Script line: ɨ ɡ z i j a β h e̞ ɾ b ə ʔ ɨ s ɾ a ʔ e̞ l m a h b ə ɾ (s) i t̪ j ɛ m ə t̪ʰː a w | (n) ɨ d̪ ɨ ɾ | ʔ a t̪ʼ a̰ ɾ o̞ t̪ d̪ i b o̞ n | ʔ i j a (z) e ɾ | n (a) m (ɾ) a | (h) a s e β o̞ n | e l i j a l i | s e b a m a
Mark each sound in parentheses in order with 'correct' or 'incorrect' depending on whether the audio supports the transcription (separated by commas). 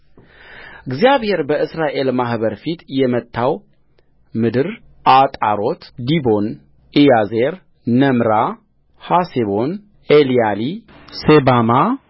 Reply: incorrect, incorrect, correct, incorrect, correct, correct